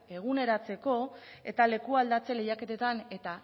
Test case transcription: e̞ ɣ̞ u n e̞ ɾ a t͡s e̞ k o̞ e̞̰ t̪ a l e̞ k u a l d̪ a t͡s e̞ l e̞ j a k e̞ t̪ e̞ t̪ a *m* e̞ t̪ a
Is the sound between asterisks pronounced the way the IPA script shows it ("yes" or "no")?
no